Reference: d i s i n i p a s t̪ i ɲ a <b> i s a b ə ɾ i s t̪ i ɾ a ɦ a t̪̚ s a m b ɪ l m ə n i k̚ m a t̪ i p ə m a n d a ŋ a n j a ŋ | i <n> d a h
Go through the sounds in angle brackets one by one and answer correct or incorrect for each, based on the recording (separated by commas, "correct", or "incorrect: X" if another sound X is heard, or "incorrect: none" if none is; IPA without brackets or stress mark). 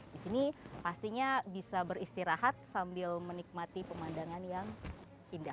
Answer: correct, correct